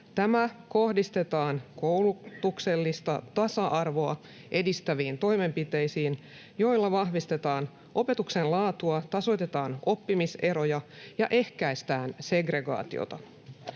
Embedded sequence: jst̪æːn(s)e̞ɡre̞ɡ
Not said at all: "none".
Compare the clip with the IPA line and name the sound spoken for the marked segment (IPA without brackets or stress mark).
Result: s